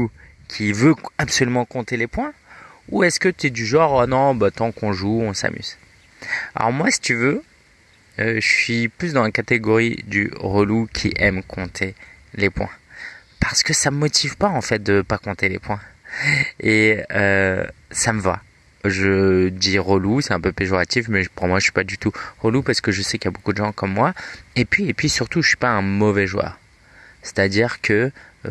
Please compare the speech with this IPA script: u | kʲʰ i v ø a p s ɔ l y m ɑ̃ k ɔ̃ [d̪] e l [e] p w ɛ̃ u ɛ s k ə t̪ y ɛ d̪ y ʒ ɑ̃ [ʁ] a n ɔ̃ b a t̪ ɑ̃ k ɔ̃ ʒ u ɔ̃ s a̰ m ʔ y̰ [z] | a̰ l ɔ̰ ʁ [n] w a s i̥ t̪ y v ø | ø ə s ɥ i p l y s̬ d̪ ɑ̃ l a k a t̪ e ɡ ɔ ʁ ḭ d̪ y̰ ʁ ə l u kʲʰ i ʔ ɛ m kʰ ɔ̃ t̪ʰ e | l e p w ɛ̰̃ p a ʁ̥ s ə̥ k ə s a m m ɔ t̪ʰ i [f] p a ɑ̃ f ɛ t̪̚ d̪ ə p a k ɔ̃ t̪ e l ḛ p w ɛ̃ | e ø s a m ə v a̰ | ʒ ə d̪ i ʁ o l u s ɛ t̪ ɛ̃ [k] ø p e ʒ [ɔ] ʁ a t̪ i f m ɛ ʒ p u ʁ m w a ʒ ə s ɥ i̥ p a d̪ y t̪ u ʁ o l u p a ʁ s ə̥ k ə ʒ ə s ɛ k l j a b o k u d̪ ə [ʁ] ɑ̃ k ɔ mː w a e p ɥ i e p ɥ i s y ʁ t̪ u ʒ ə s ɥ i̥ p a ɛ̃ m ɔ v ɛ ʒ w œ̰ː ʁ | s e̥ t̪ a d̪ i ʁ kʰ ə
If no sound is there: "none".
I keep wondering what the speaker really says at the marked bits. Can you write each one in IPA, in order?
t̪, e, ʁ, z, m, v, p, ɔ, ʒ

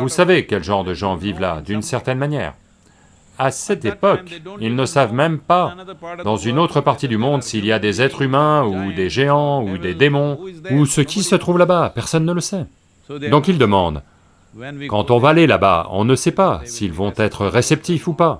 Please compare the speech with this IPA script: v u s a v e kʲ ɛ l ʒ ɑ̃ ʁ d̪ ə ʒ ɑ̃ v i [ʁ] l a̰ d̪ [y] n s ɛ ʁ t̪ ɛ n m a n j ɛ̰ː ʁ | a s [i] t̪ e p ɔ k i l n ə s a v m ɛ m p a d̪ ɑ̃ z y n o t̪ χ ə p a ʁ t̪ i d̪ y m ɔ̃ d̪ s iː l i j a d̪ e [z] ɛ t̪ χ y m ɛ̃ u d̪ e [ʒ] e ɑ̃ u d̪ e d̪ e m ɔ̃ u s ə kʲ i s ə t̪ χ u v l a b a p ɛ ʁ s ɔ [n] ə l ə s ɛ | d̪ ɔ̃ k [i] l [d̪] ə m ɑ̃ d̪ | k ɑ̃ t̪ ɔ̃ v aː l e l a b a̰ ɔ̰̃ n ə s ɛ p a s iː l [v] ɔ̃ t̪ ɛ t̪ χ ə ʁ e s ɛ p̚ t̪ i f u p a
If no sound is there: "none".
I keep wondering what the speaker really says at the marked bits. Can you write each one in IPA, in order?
v, y, ɛ, z, ʒ, nː, i, d̪, v

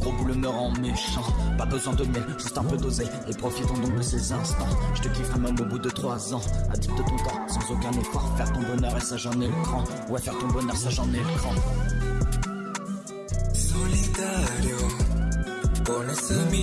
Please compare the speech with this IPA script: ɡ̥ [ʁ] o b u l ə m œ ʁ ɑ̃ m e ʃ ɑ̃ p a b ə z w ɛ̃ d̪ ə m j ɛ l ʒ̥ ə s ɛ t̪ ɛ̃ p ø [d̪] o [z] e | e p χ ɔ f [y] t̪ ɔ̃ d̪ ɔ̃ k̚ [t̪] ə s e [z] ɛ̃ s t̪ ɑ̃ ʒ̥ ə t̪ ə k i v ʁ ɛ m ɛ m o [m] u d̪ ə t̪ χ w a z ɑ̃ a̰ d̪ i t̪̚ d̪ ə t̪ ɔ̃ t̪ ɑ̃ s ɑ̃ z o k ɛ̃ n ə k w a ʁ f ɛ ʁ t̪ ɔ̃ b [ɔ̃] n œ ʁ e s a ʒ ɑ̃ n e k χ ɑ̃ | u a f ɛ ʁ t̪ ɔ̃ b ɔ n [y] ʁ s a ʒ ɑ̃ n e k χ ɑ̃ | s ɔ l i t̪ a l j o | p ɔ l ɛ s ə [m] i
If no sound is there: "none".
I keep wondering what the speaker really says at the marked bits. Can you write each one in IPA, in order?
ʁ, d̪, z, i, d̪, z, b, ɔ, œ, m

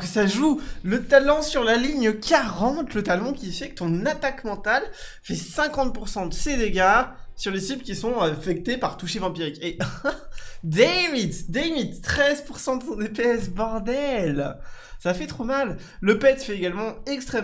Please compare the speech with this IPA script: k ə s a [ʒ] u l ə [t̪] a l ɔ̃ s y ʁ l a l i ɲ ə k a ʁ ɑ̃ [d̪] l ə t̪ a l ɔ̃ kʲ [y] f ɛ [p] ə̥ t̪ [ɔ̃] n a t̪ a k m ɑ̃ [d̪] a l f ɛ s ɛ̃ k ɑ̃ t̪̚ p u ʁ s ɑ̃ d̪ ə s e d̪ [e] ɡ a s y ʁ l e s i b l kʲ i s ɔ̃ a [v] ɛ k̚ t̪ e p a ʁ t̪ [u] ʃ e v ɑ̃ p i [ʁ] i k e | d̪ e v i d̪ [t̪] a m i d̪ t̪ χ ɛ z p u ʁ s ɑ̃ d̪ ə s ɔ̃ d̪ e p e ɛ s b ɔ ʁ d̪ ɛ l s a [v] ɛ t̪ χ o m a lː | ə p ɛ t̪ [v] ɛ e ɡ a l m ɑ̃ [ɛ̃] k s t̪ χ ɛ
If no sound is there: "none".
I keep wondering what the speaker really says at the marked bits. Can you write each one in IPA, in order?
ʒ, t̪, t̪, i, k, ɔ̃, t̪, e, f, u, ʁ, d̪, f, f, ɛ

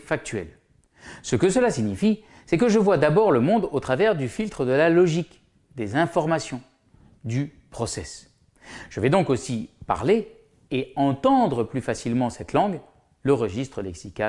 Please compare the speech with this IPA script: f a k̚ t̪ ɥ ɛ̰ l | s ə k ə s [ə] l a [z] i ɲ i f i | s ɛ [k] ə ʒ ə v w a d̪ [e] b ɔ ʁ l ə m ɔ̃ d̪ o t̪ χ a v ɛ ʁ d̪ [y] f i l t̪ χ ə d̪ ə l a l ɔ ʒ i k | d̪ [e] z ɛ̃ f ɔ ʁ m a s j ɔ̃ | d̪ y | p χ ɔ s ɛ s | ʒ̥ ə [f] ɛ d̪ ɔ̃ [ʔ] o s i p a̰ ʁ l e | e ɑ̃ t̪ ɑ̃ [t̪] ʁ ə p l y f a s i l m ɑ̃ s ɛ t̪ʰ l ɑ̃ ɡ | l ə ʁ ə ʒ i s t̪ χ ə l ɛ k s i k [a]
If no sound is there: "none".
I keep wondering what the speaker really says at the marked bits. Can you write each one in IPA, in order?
ə, s, k, a, y, e, v, k, d̪, a

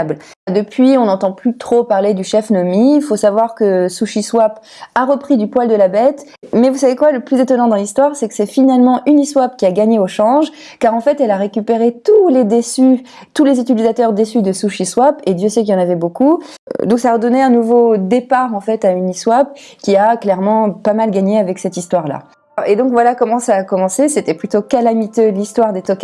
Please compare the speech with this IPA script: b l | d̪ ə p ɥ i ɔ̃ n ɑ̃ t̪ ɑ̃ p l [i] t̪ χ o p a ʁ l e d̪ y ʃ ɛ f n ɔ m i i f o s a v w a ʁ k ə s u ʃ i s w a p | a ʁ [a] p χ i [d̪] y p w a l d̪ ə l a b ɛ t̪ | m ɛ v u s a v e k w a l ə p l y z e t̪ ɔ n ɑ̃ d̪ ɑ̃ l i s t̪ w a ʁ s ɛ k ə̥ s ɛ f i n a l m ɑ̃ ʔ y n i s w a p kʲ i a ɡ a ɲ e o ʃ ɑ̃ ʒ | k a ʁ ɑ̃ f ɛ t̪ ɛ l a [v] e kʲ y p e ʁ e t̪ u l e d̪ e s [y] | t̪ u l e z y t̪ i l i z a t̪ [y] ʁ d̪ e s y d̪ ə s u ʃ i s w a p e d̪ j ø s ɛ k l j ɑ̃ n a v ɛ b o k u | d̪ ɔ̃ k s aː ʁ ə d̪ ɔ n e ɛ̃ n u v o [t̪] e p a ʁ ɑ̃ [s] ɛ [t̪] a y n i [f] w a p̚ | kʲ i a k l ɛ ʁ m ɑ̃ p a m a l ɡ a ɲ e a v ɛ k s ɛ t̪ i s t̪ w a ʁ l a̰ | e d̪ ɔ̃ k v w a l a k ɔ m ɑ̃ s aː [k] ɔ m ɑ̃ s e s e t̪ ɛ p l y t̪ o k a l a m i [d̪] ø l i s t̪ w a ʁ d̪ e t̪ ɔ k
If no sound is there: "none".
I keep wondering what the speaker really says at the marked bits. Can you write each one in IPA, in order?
y, ə, d̪, ʁ, y, œ, d̪, f, t̪, s, k, t̪

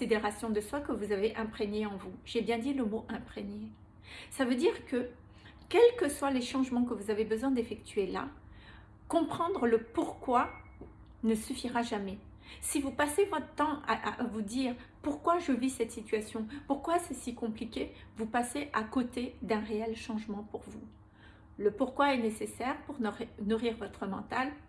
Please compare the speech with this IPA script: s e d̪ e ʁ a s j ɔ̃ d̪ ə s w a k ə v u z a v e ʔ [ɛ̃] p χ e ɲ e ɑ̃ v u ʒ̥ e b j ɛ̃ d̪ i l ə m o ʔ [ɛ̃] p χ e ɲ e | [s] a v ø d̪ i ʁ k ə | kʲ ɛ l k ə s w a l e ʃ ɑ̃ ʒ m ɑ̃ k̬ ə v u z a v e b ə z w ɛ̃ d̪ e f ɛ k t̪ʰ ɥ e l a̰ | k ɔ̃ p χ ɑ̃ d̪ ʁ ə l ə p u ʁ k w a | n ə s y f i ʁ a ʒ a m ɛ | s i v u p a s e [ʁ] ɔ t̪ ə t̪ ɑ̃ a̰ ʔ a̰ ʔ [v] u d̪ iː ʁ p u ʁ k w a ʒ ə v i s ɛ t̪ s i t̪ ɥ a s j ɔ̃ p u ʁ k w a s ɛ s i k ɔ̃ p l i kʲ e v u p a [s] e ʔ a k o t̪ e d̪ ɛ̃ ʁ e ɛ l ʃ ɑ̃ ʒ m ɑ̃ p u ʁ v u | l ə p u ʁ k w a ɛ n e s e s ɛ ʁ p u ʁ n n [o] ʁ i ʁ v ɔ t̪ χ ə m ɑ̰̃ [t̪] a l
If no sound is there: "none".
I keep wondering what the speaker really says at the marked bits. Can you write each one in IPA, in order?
ɛ̃, ɛ̃, s, v, v, s, u, t̪

